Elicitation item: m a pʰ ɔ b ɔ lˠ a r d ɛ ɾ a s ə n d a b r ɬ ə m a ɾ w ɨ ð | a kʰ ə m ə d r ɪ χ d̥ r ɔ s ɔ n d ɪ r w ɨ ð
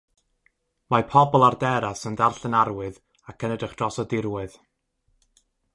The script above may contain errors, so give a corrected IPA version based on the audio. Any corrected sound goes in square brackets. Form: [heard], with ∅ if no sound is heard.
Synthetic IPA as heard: m a pʰ ɔ b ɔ lˠ a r d ɛ ɾ a s ə n d a [∅] r ɬ ə [n] a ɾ w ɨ ð | a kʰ ə [n] ə d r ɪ χ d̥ r ɔ s ɔ [∅] d ɪ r w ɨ ð